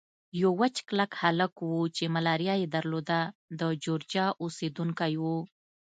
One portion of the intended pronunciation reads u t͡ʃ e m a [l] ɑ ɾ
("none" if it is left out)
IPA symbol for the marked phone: l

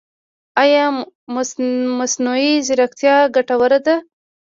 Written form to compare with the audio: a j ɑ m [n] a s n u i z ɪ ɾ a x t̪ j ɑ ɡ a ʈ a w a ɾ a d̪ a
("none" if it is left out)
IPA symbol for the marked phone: m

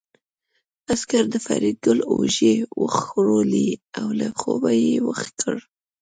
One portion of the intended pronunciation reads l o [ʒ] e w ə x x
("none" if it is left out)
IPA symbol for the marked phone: ʒ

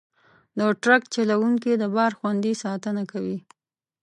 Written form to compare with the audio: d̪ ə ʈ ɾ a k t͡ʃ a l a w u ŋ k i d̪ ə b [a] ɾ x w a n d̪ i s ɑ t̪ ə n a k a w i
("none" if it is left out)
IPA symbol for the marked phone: ɑ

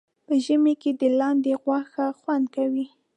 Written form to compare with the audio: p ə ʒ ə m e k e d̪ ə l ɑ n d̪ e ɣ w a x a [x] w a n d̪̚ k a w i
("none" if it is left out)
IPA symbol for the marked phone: x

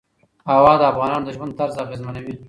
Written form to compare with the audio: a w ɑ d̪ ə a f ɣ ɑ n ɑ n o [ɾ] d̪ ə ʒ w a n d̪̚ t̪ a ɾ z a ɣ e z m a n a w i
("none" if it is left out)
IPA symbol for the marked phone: none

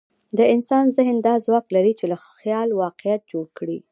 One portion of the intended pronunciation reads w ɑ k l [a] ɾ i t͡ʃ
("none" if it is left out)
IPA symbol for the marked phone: a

